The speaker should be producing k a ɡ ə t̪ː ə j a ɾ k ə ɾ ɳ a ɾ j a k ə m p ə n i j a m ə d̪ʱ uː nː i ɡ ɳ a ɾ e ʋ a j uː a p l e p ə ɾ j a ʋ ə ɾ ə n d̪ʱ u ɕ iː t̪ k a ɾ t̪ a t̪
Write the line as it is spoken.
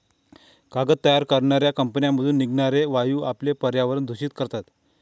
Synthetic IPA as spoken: k a ɡ ə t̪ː ə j a ɾ k ə ɾ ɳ a ɾ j a k ə m p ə n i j a m ə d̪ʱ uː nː i ɡ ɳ a ɾ e ʋ a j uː a p l e p ə ɾ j a ʋ ə ɾ ə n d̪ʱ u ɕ iː t̪ k ə ɾ t̪ a t̪

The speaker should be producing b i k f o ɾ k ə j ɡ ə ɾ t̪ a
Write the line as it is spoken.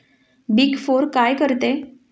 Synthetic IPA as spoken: b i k f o ɾ k a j k ə ɾ t̪ e

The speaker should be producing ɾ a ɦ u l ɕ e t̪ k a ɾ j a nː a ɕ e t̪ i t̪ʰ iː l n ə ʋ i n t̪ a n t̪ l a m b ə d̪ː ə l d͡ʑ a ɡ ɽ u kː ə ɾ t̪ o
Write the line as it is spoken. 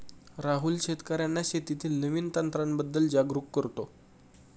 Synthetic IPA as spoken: ɾ a ɦ u l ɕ e t̪ k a ɾ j a nː a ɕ e t̪ i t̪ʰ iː l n ə ʋ i n t̪ a n t̪ ɾ a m b ə d̪ː ə l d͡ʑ a ɡ ɾ u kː ə ɾ t̪ o

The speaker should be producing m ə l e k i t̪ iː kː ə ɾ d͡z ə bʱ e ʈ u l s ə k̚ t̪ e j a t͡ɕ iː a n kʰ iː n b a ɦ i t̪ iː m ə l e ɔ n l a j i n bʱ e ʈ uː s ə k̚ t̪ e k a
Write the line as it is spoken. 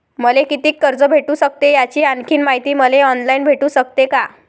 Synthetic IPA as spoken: m ə l e k i t̪ iː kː ə ɾ d͡z ə bʱ e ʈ u s ə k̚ t̪ e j a t͡ɕ iː a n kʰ iː n m a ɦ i t̪ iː m ə l e ɔ n l a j i n bʱ e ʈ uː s ə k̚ t̪ e k a

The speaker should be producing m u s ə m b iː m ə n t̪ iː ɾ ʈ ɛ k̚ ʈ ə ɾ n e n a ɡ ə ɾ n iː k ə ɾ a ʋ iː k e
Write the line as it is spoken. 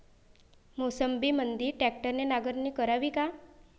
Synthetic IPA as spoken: m o s ə m b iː m ə n d̪ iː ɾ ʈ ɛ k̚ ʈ ə ɾ n e n a ɡ ə ɾ n iː k ə ɾ a ʋ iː k a

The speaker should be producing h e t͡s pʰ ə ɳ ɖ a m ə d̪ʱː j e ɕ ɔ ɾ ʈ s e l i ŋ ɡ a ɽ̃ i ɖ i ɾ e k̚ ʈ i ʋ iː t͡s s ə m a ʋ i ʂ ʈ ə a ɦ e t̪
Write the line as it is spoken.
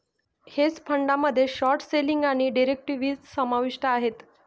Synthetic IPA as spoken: h e t͡s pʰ ə ɳ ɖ a m ə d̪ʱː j e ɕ ɔ ɾ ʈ s e l i ŋ ɡ a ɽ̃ i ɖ i ɾ e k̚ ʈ i ʋ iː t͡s s ə m a ʋ i ʂ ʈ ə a ɦ e t̪

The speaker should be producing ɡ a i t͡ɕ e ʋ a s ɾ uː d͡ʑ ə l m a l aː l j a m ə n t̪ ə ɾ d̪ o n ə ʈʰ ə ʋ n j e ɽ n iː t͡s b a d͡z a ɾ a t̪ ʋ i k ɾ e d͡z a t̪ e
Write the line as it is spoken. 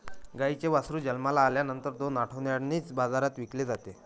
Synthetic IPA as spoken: ɡ a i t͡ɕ e ʋ a s ɾ uː d͡ʑ ə l m a l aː l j a n ə n t̪ ə ɾ d̪ o n a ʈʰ ə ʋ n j a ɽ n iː t͡s b a d͡z a ɾ a t̪ ʋ i k l e d͡z a t̪ e

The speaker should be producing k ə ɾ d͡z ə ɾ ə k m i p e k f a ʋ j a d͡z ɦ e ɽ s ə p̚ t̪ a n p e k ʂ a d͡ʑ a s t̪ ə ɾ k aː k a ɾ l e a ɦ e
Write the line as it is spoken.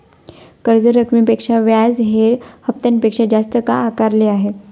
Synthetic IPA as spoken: k ə ɾ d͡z ə ɾ ə k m i p e k ʂ a ʋ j a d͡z ɦ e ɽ h ə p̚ t̪ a n p e k ʂ a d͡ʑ a s t̪ ə k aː k a ɾ l e a ɦ e

